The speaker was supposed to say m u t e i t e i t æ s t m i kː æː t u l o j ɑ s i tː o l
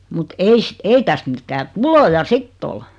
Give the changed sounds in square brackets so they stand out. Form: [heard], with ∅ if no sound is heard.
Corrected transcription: m u t e i [s] e i t æ s t m i [tː] æː t u l o j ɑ s i tː o l